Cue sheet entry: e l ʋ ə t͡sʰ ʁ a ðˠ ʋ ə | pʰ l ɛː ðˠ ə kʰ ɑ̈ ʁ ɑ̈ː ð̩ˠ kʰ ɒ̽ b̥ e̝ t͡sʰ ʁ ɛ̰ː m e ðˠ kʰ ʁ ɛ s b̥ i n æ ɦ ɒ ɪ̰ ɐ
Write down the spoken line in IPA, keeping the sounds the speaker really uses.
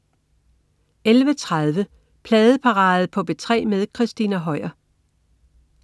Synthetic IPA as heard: e l ʋ ə t͡sʰ ʁ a ðˠ ʋ ə | pʰ l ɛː ðˠ ə pʰ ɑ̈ ʁ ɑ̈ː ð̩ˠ pʰ ɒ̽ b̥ e̝ t͡sʰ ʁ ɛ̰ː m e ðˠ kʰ ʁ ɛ s d̥ i n æ ɦ ɒ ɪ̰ ɐ

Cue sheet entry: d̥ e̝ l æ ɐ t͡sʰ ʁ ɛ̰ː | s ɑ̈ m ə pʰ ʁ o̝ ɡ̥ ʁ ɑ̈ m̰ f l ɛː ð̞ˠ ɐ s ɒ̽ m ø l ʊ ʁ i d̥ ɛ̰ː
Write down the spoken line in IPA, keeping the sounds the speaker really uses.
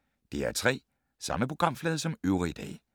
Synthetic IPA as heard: d̥ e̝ æ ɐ t͡sʰ ʁ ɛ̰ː | s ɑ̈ m ə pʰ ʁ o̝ ɡ̥ ʁ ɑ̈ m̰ f l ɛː ð̞ˠ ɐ s ɒ̽ m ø ʊ ʁ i d̥ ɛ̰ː

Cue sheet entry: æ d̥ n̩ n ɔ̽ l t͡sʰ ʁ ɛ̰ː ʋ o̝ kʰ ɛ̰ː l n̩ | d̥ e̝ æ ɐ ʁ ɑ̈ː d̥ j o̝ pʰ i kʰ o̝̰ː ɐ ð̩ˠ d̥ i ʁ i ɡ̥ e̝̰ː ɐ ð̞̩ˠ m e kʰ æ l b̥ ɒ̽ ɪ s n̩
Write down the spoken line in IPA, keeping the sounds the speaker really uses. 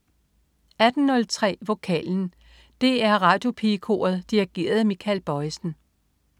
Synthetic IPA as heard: æ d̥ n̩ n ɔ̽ l t͡sʰ ʁ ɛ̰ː ʋ o̝ kʰ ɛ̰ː l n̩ | d̥ e̝ æ ɐ ʁ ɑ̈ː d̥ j o̝ pʰ i kʰ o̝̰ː ɐ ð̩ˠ d̥ i ʁ i ɡ̥ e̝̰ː ɐ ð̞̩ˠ m i kʰ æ l b̥ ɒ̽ ɪ s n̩

